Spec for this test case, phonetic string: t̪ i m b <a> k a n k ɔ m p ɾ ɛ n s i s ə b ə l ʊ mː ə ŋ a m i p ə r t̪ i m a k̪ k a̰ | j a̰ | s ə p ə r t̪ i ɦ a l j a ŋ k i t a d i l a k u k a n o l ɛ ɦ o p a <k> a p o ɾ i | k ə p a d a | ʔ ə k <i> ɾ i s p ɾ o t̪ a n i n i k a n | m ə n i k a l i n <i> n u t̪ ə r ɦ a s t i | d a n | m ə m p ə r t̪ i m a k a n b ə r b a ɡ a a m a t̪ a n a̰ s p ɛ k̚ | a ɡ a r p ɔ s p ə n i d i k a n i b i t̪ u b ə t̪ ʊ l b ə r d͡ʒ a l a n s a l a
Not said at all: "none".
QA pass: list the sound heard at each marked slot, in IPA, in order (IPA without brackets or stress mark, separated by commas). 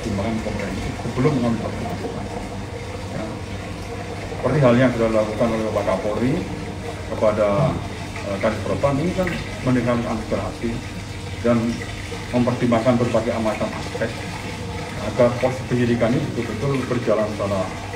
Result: a, k, a, a